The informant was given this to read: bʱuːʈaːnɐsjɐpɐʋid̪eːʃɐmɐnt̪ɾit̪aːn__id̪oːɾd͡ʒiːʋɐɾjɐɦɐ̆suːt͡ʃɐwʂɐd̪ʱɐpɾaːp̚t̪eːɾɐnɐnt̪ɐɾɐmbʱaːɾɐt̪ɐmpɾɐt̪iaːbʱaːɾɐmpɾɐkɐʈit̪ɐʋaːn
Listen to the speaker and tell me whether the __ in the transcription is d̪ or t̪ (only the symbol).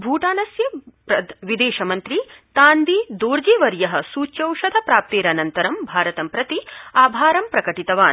d̪